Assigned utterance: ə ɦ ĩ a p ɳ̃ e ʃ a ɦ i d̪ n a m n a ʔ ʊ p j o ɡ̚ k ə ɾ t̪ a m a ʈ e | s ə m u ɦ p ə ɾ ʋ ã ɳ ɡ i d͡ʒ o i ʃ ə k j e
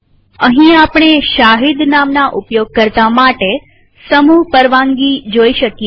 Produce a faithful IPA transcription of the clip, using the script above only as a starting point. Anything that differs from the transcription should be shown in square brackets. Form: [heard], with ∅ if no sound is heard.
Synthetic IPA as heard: ə ɦ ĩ a p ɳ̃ e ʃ a ɦ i d̪ n a m n a ʔ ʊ p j o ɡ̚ k ə ɾ t̪ a m a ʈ e | s ə m u ɦ p ə ɾ ʋ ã [ŋ] ɡ i d͡ʒ o i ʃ ə k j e

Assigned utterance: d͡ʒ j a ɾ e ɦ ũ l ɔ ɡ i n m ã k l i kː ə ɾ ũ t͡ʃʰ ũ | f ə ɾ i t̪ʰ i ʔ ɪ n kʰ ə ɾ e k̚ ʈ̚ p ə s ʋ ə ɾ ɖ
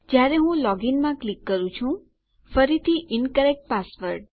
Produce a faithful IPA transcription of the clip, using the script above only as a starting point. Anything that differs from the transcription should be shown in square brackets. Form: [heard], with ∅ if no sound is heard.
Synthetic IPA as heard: d͡ʒ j a ɾ e ɦ ũ l ɔ ɡ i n m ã k l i kː ə ɾ ũ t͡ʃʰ ũ | f ə ɾ i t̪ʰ i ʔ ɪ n [k] ə ɾ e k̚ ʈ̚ p [a] s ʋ ə ɾ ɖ

